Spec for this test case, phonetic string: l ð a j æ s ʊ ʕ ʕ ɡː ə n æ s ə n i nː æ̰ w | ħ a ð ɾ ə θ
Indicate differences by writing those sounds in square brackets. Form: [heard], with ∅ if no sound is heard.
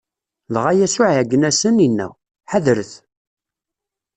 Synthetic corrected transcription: l [ʁ] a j æ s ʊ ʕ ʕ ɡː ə n æ s ə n i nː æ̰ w | ħ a ð ɾ ə θ